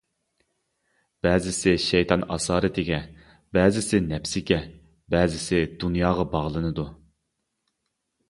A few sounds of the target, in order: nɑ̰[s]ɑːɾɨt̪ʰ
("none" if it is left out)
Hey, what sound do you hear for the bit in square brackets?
s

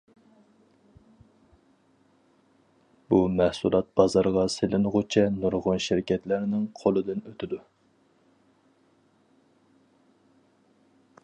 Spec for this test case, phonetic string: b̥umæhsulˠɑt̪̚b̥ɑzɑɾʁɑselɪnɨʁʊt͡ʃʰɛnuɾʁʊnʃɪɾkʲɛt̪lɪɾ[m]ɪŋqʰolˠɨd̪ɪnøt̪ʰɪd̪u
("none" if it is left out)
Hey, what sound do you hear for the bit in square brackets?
n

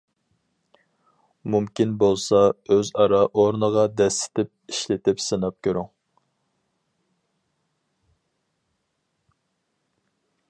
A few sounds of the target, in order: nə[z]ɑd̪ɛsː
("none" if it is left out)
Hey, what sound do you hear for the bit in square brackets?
ʁ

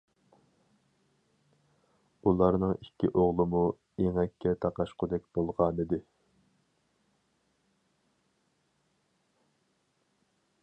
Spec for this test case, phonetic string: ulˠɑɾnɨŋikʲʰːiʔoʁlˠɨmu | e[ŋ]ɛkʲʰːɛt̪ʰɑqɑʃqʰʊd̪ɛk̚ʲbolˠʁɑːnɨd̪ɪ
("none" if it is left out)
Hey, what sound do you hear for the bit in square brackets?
ŋ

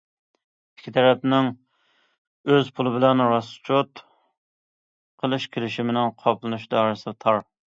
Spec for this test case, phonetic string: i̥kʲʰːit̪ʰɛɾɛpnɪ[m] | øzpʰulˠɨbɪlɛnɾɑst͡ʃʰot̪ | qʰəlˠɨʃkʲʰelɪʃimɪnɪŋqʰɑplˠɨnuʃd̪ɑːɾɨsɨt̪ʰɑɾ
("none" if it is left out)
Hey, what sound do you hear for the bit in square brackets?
ŋ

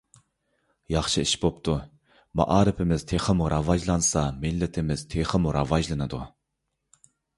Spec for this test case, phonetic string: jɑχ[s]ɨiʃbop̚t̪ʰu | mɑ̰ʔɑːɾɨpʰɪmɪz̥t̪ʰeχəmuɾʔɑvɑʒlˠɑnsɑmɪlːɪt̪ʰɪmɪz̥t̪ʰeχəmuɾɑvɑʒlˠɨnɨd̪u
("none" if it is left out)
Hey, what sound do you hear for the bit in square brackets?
ʃ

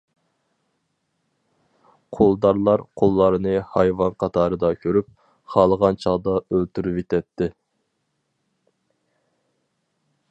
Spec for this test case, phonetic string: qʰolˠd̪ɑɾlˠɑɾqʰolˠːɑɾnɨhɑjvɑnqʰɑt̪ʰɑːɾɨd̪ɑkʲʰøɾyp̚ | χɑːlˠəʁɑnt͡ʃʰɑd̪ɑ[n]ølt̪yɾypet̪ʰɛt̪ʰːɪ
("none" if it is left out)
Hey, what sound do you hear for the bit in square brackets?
none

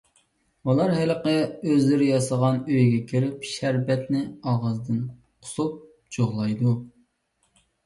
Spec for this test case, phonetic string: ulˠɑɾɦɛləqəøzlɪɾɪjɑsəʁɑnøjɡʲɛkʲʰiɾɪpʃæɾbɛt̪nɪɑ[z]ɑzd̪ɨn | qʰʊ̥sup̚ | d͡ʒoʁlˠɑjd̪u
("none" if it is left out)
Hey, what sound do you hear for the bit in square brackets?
ʁ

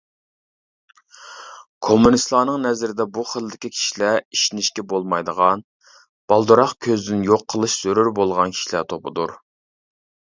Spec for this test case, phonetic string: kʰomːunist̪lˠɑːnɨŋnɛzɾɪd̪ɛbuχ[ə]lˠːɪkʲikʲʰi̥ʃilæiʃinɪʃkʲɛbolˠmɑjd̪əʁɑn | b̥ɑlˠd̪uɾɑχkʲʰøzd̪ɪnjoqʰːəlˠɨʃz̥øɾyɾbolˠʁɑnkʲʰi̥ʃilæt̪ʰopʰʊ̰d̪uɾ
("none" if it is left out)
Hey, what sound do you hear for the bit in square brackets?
ə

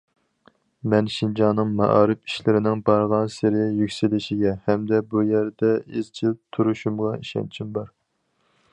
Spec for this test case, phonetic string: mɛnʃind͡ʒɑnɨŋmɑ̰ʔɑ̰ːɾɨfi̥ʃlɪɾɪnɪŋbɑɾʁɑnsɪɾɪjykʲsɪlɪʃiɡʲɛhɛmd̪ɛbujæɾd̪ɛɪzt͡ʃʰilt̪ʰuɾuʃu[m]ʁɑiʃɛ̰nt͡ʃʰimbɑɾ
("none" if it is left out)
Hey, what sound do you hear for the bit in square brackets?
m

